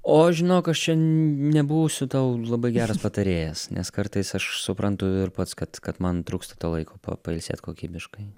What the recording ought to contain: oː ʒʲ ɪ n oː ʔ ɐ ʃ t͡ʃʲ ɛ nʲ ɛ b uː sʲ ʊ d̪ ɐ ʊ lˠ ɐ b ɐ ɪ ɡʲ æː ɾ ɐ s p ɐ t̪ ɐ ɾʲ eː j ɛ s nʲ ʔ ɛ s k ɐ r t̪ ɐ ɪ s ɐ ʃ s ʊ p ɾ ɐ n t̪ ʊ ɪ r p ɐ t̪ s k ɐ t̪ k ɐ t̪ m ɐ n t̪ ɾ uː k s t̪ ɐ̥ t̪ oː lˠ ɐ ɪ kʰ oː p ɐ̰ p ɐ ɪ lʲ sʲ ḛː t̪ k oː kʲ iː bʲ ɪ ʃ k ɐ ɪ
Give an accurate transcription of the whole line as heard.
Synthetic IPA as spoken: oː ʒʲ ɪ n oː k ɐ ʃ t͡ʃʲ ɛ nʲ ɛ b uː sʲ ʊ t̪ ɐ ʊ lˠ ɐ b ɐ ɪ ɡʲ æː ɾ ɐ s p ɐ t̪ ɐ ɾʲ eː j ɛ s nʲ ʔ ɛ s k ɐ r t̪ ɐ ɪ s ɐ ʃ s ʊ p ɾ ɐ n t̪ ʊ ɪ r p ɐ t̪ s k ɐ t̪ k ɐ t̪ m ɐ n t̪ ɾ uː k s t̪ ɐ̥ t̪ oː lˠ ɐ ɪ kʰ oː p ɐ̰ p ɐ ɪ lʲ sʲ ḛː t̪ k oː kʲ iː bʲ ɪ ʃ k ɐ ɪ